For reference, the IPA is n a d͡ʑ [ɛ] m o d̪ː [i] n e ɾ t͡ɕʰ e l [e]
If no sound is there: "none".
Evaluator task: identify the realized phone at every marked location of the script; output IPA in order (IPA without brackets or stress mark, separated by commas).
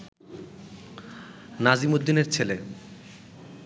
i, i, e